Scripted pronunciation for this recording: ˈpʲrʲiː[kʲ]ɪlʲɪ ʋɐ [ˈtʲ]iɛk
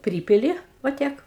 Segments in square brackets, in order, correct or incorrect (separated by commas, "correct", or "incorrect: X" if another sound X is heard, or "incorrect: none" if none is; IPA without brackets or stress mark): incorrect: pʲ, correct